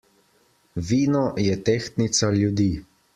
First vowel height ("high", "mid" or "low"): high